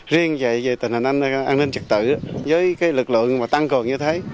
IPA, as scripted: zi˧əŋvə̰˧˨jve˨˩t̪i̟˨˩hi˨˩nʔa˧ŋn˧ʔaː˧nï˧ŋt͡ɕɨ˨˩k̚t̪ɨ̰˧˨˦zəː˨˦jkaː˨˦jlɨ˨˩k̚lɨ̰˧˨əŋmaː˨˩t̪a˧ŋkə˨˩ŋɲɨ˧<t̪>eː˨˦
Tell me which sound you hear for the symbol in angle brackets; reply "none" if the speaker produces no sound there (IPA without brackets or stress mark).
t̪ʰ